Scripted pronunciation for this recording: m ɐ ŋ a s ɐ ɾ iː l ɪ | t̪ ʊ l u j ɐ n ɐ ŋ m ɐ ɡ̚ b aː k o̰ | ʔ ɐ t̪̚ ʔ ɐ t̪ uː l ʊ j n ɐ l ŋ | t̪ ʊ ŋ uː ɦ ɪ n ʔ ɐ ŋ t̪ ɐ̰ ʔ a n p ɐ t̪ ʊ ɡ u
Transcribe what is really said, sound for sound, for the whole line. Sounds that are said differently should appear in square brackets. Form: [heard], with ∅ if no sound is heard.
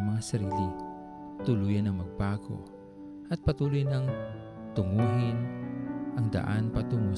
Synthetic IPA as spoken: m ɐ ŋ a s ɐ ɾ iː l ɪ | t̪ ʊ l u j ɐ n ɐ ŋ m ɐ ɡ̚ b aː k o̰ | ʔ ɐ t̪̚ [p] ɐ t̪ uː l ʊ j n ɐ [∅] ŋ | t̪ ʊ ŋ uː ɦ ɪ n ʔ ɐ ŋ [d̪] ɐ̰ ʔ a n p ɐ t̪ ʊ [ŋ] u